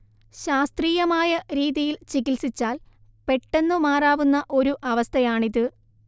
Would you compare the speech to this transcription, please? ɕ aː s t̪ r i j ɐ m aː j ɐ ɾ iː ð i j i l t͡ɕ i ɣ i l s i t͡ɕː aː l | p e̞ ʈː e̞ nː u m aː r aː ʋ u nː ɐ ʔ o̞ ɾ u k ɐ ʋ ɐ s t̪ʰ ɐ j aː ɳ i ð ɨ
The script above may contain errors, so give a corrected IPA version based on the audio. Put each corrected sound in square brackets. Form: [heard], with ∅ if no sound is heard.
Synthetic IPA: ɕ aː s t̪ r [iː] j ɐ m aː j ɐ ɾ iː ð i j i l t͡ɕ i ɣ i l s i t͡ɕː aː l | p e̞ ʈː e̞ nː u m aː r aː ʋ u nː ɐ ʔ o̞ ɾ u [ʔ] ɐ ʋ ɐ s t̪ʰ ɐ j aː ɳ i ð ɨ